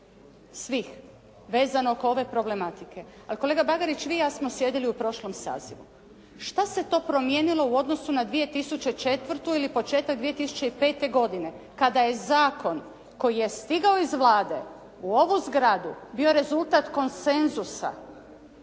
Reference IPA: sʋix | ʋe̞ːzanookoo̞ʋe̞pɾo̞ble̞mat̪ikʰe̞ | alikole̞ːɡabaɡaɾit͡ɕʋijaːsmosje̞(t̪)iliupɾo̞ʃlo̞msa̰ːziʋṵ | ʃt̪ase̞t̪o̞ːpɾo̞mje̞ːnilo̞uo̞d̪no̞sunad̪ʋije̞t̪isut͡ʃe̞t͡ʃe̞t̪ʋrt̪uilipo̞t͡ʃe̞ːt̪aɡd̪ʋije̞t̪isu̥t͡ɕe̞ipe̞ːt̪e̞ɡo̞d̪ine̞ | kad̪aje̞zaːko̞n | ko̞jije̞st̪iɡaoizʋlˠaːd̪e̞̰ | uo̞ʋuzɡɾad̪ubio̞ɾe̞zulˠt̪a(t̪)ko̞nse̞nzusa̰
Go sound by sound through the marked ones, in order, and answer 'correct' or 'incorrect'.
incorrect, correct

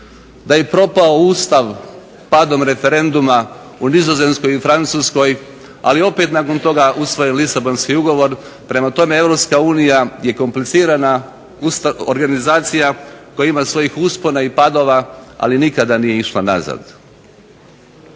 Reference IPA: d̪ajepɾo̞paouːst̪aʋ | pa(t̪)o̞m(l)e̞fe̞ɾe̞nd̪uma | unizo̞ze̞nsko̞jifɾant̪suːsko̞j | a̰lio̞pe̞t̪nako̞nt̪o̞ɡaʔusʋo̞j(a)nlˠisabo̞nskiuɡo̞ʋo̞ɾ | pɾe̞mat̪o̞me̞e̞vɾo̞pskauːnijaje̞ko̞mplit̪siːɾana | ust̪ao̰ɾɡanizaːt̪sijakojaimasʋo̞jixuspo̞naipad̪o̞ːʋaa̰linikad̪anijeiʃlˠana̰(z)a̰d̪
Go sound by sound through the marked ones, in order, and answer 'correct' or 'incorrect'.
incorrect, incorrect, incorrect, correct

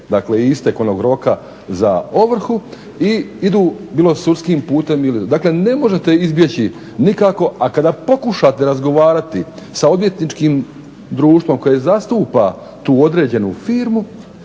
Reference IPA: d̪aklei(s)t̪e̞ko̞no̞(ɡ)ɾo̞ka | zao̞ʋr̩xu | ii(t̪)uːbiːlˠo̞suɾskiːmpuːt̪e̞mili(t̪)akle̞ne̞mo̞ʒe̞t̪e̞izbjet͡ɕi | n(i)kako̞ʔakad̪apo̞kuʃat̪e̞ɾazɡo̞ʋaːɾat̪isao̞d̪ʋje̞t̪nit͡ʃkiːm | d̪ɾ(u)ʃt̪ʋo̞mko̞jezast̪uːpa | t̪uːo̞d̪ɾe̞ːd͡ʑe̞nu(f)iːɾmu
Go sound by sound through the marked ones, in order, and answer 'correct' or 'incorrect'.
correct, correct, incorrect, incorrect, correct, incorrect, correct

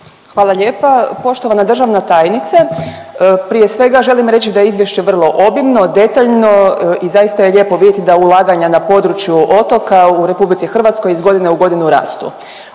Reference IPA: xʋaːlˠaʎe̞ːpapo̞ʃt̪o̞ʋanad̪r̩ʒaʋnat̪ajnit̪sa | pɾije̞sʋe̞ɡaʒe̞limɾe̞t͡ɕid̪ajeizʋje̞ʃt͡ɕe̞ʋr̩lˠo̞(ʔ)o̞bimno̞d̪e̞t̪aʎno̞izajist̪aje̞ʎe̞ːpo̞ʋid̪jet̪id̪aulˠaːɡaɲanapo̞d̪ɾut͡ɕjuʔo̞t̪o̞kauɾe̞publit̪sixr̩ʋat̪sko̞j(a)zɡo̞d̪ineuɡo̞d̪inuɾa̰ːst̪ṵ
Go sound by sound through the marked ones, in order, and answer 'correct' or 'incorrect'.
correct, incorrect

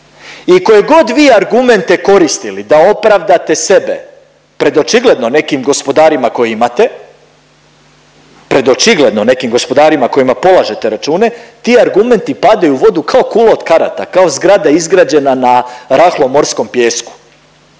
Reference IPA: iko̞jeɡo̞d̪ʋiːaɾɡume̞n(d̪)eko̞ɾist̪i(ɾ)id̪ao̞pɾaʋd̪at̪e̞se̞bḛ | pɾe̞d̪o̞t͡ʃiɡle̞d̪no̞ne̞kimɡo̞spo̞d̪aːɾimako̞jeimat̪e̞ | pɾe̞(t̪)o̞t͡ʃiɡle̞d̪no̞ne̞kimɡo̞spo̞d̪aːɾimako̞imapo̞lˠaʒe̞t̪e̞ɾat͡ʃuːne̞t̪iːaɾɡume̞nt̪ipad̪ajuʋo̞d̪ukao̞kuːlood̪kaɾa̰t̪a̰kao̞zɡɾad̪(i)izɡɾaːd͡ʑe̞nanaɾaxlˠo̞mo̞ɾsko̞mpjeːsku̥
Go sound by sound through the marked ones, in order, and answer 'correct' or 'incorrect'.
incorrect, incorrect, incorrect, incorrect

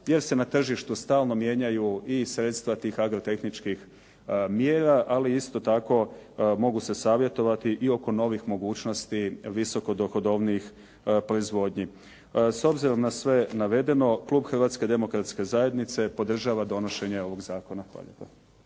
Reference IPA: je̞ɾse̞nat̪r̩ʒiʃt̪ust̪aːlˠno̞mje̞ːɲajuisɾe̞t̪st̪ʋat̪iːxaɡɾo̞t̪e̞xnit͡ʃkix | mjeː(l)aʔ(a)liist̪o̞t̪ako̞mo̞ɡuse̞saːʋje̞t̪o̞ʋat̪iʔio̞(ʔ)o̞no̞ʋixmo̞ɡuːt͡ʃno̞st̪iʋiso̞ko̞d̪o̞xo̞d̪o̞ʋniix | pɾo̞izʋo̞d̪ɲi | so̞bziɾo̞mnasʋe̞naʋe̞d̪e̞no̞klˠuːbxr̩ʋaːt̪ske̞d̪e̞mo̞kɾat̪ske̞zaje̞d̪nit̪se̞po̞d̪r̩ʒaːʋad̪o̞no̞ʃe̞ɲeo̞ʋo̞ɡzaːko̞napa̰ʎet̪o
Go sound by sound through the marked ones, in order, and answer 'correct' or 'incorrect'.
incorrect, correct, incorrect

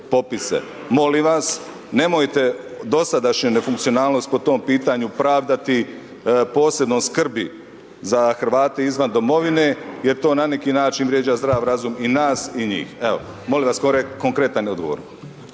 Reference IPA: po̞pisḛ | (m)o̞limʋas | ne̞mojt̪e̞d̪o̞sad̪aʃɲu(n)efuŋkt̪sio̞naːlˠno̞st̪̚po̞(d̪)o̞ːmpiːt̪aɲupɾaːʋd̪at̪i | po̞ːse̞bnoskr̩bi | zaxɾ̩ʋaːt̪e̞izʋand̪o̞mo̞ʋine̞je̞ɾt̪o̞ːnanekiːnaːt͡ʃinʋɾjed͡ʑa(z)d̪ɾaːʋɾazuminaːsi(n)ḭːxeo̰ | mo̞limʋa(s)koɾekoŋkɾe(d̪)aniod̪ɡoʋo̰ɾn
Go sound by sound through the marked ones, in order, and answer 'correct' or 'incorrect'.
correct, correct, incorrect, correct, incorrect, correct, incorrect

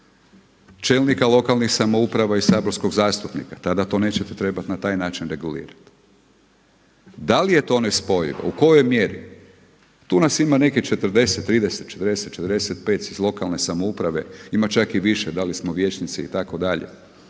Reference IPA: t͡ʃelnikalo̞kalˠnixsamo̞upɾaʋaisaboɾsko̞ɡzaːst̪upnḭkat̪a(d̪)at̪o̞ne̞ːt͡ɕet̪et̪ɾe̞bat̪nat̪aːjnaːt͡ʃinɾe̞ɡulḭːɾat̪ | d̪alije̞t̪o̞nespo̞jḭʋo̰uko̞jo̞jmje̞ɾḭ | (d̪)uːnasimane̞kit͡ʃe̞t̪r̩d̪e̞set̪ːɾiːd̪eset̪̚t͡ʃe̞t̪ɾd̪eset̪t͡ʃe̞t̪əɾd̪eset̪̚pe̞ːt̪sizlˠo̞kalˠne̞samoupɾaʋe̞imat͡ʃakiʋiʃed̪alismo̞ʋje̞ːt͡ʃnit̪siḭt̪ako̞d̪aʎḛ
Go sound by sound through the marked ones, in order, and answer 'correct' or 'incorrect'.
correct, incorrect

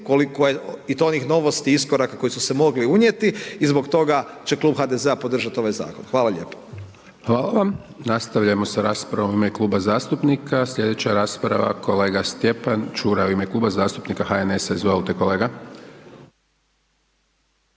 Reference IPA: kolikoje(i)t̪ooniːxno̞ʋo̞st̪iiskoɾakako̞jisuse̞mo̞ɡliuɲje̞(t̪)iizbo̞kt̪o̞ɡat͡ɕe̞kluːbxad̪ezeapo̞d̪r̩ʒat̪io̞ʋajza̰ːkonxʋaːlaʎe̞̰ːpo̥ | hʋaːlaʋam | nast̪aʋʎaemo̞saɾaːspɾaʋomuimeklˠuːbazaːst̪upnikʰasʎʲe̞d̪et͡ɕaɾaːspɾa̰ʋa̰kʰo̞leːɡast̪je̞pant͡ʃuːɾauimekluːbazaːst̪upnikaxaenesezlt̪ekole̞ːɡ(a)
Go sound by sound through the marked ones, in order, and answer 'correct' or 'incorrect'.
correct, correct, correct

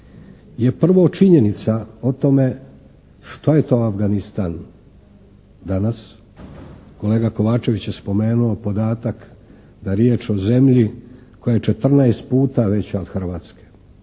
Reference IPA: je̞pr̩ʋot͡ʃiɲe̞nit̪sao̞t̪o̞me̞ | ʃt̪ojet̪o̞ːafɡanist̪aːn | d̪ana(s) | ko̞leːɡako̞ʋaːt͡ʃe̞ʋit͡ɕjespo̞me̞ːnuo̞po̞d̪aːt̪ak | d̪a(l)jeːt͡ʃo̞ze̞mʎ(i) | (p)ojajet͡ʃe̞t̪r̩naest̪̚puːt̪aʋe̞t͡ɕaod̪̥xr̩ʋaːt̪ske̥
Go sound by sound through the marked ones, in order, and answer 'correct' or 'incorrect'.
correct, incorrect, correct, incorrect

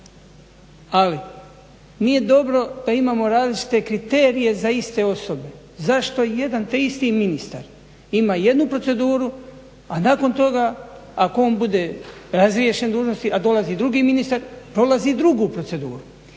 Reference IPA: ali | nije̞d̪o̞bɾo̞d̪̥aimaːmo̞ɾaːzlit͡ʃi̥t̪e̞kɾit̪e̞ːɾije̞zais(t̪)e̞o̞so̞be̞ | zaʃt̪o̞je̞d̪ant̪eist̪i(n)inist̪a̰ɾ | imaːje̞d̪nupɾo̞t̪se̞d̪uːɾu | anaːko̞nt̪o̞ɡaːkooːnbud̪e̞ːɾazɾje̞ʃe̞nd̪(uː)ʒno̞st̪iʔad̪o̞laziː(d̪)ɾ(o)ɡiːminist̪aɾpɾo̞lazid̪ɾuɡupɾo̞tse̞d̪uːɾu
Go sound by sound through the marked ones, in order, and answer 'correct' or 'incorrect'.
correct, incorrect, correct, correct, incorrect

